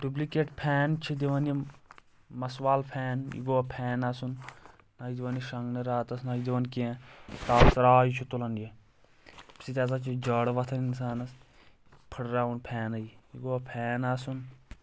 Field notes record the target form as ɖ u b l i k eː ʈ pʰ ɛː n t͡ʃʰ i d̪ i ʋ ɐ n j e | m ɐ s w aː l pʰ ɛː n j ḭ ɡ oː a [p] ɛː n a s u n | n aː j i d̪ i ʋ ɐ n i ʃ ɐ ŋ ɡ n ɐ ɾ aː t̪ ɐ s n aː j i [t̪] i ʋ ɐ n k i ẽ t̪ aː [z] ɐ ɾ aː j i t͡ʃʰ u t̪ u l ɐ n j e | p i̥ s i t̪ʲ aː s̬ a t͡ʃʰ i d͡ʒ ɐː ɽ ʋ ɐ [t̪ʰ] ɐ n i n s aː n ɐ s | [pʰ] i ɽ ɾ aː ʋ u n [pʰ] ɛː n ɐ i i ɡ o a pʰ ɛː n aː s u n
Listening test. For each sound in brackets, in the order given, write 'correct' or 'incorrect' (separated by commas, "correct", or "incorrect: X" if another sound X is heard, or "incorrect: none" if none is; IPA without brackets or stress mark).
incorrect: pʰ, incorrect: d̪, incorrect: s, correct, correct, correct